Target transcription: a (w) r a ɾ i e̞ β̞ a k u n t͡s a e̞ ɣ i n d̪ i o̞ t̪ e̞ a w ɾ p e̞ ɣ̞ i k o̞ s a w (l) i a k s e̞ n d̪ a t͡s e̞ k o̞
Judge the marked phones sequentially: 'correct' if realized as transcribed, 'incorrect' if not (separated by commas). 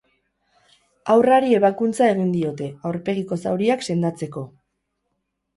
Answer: correct, incorrect